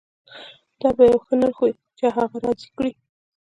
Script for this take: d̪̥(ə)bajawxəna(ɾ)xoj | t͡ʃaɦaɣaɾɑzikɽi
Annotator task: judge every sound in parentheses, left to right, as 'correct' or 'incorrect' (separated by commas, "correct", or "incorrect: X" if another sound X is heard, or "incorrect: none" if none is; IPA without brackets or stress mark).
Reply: incorrect: ɑ, correct